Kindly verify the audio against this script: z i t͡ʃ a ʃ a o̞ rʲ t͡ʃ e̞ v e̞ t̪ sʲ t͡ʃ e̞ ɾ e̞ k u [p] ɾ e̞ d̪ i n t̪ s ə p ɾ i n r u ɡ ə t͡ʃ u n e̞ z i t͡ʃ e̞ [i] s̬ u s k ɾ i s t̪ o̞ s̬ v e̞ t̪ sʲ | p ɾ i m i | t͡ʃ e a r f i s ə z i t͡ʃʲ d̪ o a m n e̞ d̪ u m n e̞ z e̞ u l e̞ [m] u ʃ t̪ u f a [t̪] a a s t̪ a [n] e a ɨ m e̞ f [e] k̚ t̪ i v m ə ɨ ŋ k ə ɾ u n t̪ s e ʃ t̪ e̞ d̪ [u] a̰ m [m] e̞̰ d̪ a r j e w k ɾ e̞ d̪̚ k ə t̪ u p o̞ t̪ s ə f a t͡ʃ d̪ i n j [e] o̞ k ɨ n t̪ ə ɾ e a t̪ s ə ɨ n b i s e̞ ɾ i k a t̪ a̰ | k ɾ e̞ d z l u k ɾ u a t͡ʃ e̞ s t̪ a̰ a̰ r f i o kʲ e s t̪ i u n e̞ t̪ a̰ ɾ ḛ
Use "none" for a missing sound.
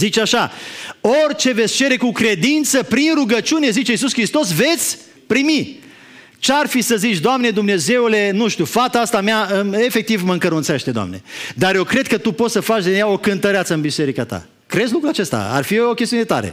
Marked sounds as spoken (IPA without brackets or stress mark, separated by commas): k, i, n, t̪, m, e, o, n, a